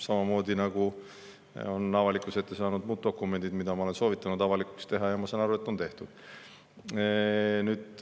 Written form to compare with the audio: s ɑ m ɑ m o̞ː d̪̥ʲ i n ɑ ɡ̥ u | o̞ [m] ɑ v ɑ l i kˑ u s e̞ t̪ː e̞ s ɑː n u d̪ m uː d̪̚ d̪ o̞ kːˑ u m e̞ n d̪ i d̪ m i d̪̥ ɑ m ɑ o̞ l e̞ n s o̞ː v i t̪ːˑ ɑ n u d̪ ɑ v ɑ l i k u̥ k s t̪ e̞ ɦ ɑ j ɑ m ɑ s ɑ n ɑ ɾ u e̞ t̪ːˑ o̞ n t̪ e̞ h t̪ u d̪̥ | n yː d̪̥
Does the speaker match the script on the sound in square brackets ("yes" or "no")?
no